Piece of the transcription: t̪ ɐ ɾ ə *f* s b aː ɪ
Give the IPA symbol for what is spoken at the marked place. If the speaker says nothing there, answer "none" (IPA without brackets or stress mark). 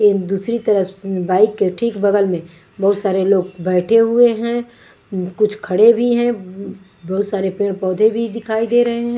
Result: f